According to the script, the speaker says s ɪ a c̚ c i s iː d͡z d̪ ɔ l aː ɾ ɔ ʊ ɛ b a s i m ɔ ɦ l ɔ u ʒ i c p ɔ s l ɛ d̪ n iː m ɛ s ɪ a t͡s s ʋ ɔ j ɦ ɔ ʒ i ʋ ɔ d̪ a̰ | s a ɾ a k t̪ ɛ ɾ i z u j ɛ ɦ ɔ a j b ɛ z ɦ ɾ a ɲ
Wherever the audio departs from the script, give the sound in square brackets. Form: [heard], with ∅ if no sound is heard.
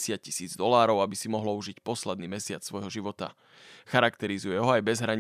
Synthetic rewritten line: s ɪ a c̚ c i s iː d͡z d̪ ɔ l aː ɾ ɔ ʊ [a] b [i] s i m ɔ ɦ l ɔ u ʒ i c p ɔ s l ɛ d̪ n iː m ɛ s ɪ a t͡s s ʋ ɔ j ɦ ɔ ʒ i ʋ ɔ [t̪] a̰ | [x] a ɾ a k t̪ ɛ ɾ i z u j ɛ ɦ ɔ a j b ɛ z ɦ ɾ a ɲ